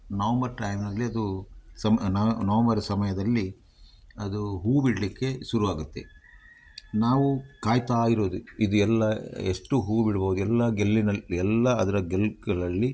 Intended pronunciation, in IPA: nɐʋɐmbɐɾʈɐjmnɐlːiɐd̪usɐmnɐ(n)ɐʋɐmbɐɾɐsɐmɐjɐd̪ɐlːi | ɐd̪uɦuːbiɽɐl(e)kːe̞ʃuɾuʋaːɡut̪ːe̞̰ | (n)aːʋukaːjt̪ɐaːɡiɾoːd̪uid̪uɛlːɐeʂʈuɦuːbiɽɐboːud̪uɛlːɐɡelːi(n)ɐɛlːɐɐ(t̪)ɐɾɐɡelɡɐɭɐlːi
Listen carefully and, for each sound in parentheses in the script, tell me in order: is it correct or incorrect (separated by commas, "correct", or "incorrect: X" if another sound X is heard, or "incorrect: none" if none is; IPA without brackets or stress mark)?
correct, incorrect: i, correct, correct, incorrect: d̪